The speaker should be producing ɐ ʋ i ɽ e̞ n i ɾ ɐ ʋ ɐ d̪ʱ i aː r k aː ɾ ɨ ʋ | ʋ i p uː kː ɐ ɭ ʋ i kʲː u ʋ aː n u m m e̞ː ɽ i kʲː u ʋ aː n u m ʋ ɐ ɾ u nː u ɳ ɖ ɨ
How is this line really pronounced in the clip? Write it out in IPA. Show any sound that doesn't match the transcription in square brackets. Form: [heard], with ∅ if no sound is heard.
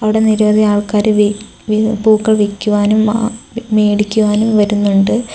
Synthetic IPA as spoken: ɐ ʋ i ɽ e̞ n i ɾ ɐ ʋ ɐ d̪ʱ i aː [ɭ] k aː ɾ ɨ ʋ | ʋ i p uː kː ɐ ɭ ʋ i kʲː u ʋ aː n u m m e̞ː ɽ i kʲː u ʋ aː n u m ʋ ɐ ɾ u nː u ɳ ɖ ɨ